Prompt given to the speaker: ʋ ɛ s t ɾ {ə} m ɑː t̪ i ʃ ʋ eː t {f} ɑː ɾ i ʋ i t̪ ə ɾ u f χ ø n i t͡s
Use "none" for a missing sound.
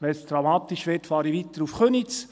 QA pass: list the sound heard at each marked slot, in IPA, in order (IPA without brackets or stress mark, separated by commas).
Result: ɑ, f